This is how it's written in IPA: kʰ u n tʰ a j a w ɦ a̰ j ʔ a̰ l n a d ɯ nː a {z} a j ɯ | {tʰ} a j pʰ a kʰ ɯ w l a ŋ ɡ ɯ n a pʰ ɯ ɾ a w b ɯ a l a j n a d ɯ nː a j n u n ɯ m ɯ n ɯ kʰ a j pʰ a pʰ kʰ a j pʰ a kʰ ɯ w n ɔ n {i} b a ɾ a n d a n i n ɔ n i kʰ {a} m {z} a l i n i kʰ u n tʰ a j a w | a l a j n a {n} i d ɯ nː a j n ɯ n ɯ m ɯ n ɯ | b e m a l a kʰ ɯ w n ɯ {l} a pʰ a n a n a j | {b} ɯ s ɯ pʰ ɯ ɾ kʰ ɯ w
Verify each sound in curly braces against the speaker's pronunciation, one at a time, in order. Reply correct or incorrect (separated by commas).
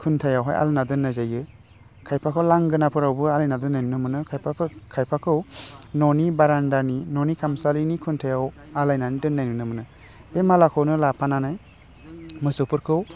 correct, incorrect, correct, correct, incorrect, correct, correct, incorrect